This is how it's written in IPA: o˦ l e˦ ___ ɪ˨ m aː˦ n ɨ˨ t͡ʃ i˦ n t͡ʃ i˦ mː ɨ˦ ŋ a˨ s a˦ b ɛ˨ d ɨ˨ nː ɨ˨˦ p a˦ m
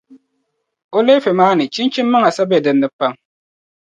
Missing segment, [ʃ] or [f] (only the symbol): f